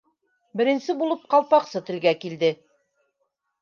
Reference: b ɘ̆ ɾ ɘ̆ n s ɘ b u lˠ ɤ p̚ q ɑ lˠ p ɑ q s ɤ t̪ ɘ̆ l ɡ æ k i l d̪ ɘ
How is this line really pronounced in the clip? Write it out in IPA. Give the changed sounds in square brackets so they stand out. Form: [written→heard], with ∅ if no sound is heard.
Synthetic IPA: b ɘ̆ ɾ ɘ̆ n s ɘ b u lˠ ɤ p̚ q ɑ lˠ p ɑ q s ɤ t̪ ɘ̆ l ɡ æ k i l d̪ ɘ

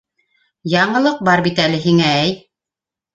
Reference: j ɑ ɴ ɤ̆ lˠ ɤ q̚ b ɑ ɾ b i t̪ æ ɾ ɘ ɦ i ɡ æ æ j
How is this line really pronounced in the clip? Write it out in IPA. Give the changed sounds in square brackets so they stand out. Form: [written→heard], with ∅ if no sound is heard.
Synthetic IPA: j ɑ ɴ ɤ̆ lˠ ɤ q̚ b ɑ ɾ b i t̪ æ [ɾ→l] ɘ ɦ i [ɡ→ŋ] æ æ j

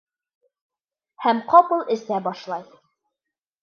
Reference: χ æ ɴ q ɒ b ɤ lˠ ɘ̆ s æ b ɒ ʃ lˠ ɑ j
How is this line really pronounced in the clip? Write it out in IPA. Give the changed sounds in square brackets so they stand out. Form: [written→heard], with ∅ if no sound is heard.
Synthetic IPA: [χ→h] æ [ɴ→m] q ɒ [b→p] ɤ lˠ ɘ̆ s æ b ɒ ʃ lˠ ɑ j

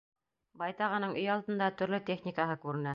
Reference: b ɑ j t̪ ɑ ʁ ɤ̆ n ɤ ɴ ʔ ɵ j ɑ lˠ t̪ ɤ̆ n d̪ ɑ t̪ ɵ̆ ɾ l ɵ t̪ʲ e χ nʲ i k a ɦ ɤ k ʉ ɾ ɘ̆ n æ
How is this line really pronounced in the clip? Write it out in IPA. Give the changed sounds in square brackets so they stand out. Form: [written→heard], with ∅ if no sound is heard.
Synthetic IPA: b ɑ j t̪ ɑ ʁ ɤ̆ n ɤ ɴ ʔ ɵ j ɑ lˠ t̪ ɤ̆ n d̪ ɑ t̪ ɵ̆ ɾ l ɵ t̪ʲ e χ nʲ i k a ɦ ɤ k ʉ ɾ ɘ̆ n æ

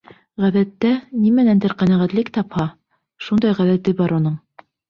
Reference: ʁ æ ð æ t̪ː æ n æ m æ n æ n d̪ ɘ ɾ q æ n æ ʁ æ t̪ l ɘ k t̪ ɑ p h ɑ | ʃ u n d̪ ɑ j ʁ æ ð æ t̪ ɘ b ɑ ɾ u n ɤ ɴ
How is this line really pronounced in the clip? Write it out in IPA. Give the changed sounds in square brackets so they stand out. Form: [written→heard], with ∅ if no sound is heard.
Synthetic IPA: ʁ æ ð æ t̪ː æ n [æ→i] m æ n æ n d̪ ɘ ɾ q æ n æ ʁ æ t̪ l ɘ k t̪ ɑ p h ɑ | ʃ u n d̪ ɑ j ʁ æ ð æ t̪ ɘ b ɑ ɾ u n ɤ ɴ

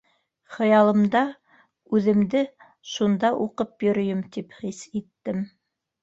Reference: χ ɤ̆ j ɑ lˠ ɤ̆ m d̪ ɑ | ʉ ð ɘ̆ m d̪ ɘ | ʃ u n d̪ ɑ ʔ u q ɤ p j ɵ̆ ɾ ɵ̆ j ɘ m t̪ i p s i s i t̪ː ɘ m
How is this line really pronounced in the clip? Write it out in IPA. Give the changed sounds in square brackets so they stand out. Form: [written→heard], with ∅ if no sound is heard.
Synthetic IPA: χ ɤ̆ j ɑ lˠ ɤ̆ m d̪ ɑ | ʉ ð ɘ̆ m d̪ ɘ | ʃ u n d̪ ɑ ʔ u q ɤ p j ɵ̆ ɾ ɵ̆ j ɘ m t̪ i p [s→χ] i s i t̪ː ɘ m

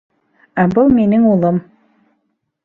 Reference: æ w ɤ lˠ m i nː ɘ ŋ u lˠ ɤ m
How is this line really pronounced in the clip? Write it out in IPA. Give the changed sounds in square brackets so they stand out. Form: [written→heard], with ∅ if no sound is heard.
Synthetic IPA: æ [w→b] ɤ lˠ m i [nː→n] ɘ ŋ u lˠ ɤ m

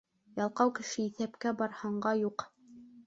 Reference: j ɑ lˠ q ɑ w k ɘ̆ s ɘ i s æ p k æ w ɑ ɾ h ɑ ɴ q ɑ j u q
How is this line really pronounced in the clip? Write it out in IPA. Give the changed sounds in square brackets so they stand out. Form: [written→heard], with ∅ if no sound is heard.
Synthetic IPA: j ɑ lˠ q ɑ w k ɘ̆ [s→ʃ] ɘ i [s→θ] æ p k æ [w→b] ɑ ɾ h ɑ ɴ [q→ɢ] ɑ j u q

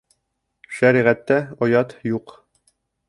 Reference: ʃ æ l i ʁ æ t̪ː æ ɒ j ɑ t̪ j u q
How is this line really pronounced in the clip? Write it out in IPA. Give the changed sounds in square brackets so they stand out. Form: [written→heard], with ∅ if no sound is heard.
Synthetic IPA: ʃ æ [l→ɾ] i ʁ æ t̪ː æ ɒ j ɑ t̪ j u q

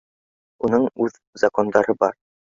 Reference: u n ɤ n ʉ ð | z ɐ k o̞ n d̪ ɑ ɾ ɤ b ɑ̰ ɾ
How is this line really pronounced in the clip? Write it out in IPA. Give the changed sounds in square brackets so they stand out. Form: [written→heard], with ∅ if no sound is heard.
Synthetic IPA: u n ɤ [n→ɴ] ʉ ð | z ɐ k o̞ n d̪ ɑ ɾ ɤ b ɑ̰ ɾ

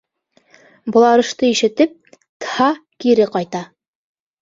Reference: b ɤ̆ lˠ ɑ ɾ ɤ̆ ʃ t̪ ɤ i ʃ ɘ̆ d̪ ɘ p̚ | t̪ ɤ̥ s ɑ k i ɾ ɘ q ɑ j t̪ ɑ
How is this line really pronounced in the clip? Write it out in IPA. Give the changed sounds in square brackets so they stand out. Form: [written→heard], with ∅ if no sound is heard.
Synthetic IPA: b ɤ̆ lˠ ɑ ɾ ɤ̆ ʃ t̪ ɤ i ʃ ɘ̆ [d̪→t̪] ɘ p̚ | t̪ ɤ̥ [s→h] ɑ k i ɾ ɘ q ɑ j t̪ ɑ

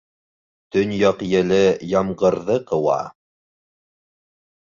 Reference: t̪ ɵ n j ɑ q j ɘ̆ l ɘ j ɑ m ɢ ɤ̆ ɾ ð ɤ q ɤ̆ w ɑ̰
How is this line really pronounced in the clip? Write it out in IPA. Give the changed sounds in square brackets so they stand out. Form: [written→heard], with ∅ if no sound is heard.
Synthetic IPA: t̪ ɵ n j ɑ q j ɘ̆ l ɘ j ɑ m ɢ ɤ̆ ɾ ð ɤ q ɤ̆ w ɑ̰

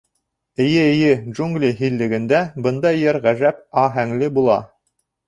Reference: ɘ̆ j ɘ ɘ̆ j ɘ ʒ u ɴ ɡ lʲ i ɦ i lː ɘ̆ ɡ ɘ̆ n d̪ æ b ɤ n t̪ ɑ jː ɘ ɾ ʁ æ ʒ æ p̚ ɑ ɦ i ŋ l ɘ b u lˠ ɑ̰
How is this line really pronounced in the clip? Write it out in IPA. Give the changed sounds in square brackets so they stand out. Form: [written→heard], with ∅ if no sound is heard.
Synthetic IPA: ɘ̆ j ɘ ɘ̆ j ɘ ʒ u [ɴ→ŋ] ɡ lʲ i ɦ i lː ɘ̆ ɡ ɘ̆ n d̪ æ b ɤ n [t̪→d̪] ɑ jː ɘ ɾ ʁ æ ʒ æ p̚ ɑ ɦ [i→æ] ŋ l ɘ b u lˠ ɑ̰

